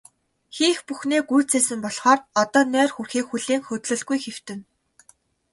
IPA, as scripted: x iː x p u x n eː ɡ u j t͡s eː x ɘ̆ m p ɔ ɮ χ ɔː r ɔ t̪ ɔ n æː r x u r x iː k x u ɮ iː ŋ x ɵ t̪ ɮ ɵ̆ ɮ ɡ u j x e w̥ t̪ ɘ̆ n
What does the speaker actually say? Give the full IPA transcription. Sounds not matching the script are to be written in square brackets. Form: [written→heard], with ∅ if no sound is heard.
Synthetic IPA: x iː x p u x n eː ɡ u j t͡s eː [x→s] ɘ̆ m p ɔ ɮ χ ɔː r ɔ t̪ [ɔ→ɔː] n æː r x u r x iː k x u ɮ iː ŋ x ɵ t̪ ɮ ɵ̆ ɮ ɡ u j x e w̥ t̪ ɘ̆ n